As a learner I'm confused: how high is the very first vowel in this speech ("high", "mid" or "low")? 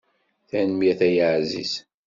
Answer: low